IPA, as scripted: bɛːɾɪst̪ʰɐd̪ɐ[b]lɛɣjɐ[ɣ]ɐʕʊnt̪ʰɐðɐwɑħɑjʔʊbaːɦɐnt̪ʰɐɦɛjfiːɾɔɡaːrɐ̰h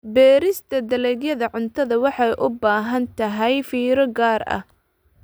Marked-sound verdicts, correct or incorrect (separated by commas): incorrect, incorrect